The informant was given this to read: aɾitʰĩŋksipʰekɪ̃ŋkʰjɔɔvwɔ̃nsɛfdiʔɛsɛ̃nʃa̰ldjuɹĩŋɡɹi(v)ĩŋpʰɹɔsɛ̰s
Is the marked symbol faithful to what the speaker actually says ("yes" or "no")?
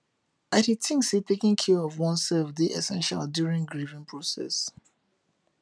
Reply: yes